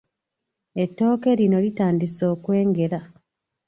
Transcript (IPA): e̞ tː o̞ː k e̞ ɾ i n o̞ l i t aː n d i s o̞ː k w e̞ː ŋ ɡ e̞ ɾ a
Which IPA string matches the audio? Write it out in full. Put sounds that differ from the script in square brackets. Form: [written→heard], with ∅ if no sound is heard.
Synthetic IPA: e̞ tː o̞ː k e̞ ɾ i n o̞ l i t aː n d i s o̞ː k w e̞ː ŋ ɡ e̞ ɾ a